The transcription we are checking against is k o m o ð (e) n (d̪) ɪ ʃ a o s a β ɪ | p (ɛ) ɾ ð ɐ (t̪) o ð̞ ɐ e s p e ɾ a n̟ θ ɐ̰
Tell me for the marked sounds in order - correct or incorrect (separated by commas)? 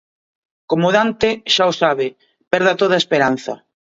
incorrect, incorrect, correct, correct